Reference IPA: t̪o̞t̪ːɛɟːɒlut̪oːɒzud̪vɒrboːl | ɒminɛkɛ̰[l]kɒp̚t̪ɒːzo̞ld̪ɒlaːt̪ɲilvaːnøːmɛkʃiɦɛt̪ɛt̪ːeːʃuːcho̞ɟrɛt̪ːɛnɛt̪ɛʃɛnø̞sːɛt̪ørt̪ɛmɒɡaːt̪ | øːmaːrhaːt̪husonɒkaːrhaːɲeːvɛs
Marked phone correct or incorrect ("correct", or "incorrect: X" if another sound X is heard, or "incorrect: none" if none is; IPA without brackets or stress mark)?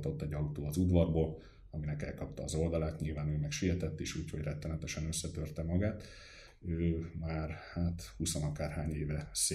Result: correct